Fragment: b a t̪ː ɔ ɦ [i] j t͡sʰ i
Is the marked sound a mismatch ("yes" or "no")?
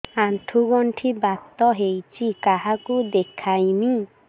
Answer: yes